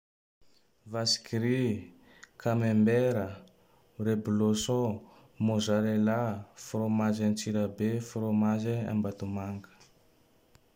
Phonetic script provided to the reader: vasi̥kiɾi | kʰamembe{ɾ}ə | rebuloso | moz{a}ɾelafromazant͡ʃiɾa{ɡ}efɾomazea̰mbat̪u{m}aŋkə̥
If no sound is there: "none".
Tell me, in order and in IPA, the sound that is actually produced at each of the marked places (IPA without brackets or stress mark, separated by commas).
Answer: ɾ, a, b, m